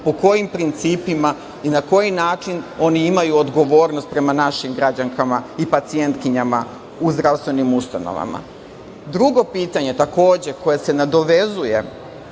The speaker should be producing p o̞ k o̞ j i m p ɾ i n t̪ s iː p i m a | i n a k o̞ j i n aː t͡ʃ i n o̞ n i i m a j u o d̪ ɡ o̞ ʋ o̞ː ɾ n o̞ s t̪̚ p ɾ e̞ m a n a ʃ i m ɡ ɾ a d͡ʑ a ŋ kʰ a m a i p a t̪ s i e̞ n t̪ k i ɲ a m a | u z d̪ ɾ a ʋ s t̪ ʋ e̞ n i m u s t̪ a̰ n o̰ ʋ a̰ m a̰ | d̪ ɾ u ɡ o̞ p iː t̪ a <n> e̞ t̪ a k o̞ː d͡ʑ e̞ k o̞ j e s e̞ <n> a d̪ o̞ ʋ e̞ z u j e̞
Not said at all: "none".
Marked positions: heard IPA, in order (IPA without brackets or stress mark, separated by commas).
ɲ, n